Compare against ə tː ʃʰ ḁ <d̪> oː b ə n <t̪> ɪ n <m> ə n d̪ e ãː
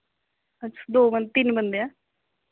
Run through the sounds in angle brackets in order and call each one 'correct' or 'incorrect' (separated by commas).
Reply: correct, correct, incorrect